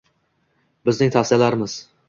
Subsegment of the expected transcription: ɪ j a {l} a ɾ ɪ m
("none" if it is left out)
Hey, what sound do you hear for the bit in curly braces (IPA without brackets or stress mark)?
l